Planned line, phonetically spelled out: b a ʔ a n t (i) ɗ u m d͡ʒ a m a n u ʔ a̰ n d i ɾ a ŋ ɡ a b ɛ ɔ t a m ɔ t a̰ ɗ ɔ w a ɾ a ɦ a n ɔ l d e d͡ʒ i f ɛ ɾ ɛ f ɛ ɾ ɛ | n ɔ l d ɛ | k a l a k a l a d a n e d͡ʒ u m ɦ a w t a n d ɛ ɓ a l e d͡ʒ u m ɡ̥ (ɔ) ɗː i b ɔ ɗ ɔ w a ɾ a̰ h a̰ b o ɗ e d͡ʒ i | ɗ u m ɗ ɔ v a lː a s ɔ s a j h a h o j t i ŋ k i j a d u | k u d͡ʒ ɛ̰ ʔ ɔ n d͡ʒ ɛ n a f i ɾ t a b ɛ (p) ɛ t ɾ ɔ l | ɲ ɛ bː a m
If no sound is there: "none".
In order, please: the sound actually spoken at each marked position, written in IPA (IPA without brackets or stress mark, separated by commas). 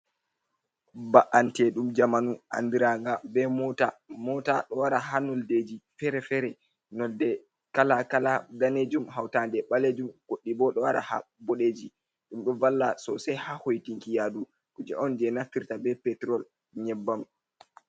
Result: ɛ, o, p